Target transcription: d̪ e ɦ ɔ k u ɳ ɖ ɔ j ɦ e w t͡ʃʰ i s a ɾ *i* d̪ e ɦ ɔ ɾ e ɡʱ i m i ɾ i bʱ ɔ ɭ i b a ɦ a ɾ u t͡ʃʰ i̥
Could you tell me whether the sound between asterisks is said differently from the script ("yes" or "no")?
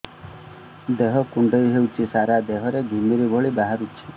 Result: yes